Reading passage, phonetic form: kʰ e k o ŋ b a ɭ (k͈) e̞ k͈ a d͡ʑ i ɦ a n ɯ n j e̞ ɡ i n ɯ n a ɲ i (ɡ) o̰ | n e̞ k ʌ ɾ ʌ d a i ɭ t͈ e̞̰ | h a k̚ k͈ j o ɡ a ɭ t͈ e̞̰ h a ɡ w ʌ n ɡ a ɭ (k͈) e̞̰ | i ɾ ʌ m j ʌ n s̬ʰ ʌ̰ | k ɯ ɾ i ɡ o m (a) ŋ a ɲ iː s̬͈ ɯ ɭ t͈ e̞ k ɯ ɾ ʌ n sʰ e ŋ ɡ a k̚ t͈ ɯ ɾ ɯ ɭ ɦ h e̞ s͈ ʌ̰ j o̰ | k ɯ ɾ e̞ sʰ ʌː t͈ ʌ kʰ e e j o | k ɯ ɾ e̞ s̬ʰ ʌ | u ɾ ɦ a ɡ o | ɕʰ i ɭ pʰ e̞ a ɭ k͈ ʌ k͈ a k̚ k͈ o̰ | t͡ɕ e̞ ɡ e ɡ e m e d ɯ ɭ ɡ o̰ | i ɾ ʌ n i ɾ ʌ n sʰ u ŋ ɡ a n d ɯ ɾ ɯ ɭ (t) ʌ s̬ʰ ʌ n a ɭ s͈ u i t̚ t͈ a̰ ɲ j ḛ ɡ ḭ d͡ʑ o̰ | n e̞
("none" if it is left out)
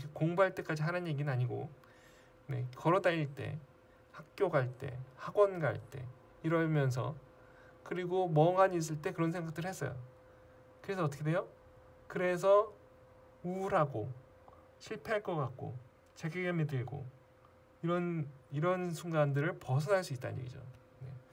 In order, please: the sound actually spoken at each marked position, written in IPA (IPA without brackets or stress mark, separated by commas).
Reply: t͈, ɡ, t͈, ʌ, p